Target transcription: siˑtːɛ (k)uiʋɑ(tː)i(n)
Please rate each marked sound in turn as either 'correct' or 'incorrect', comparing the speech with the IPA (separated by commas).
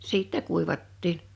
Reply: correct, correct, correct